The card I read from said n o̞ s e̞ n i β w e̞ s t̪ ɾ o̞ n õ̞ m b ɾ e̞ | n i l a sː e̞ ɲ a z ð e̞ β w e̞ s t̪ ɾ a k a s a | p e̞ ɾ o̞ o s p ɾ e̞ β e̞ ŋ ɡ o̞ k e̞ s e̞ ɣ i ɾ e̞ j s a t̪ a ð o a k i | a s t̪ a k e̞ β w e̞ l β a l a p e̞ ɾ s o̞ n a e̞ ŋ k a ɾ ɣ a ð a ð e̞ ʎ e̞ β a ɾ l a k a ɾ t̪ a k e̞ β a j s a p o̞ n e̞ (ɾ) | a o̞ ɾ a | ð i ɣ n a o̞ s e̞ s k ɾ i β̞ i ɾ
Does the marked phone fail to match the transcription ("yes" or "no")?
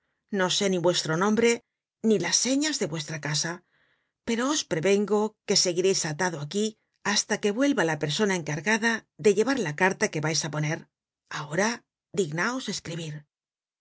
no